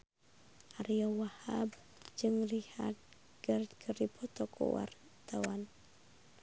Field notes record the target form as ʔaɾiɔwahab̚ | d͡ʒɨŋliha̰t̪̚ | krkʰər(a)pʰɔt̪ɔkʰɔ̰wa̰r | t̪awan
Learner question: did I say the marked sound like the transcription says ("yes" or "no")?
no